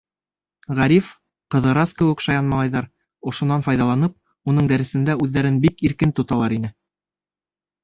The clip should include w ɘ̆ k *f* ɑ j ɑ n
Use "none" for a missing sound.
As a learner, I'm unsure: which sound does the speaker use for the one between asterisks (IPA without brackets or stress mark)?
ʃ